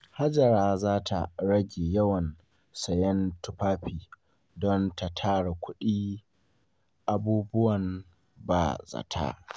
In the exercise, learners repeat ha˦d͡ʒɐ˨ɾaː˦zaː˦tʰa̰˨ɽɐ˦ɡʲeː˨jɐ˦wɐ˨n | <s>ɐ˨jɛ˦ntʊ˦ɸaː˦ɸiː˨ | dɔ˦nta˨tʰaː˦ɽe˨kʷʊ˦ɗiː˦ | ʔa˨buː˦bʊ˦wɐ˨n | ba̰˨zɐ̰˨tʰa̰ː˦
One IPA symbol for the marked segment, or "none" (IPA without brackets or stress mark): s